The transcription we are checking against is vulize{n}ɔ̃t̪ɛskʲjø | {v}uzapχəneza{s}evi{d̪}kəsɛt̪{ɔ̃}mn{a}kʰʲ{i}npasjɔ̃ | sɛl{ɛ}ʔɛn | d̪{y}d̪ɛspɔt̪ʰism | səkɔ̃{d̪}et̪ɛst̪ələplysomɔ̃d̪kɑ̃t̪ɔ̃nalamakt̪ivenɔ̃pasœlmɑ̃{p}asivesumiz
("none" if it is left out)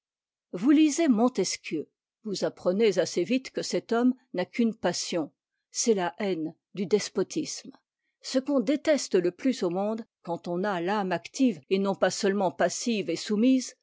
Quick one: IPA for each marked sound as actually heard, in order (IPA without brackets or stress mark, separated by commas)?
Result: m, v, s, t̪, ɔ, a, y, a, y, d̪, p